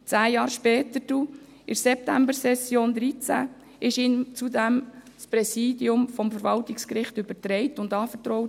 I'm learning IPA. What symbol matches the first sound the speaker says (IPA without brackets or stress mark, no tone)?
t͡s